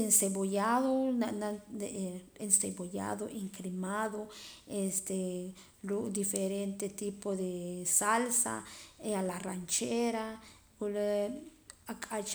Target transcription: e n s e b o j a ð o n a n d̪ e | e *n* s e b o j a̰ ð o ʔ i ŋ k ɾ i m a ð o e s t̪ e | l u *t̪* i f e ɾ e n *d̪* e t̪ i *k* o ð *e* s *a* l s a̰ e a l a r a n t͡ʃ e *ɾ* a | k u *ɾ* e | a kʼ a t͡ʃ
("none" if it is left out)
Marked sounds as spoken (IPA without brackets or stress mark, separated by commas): n, d̪, t̪, p, e, a, ɾ, l